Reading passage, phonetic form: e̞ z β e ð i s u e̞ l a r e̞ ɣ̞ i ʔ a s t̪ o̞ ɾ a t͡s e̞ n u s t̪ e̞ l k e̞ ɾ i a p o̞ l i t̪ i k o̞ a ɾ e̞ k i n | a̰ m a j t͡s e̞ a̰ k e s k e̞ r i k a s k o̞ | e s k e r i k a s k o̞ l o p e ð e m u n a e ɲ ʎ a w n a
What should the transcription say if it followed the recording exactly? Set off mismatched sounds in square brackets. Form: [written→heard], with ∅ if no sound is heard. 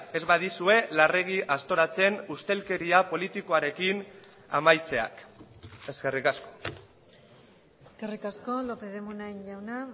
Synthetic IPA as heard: e̞ z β [e→a] ð i s u e̞ l a r e̞ ɣ̞ i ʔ a s t̪ o̞ ɾ a t͡s e̞ n u s t̪ e̞ l k e̞ ɾ i a p o̞ l i t̪ i k o̞ a ɾ e̞ k i n | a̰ m a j t͡s e̞ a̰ k e s k e̞ r i k a s k o̞ | e s k e r i k a s k o̞ l o p e ð e m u n a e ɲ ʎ a w n a